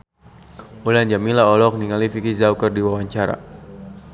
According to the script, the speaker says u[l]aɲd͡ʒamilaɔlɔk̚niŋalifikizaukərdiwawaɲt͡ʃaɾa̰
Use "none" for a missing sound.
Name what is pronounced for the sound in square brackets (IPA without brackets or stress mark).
l